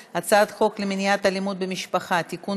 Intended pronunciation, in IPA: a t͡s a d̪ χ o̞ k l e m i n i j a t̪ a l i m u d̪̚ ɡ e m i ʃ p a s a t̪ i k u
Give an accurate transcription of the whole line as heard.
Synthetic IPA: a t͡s a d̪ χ o̞ k l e m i n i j a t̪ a l i m u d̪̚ b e m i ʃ p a χ a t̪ i k u